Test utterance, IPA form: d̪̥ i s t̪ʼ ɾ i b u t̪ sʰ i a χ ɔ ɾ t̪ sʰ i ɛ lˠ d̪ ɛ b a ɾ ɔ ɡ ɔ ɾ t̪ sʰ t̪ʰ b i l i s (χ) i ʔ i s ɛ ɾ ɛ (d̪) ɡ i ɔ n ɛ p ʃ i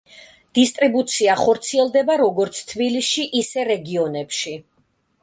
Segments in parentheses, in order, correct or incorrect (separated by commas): incorrect, incorrect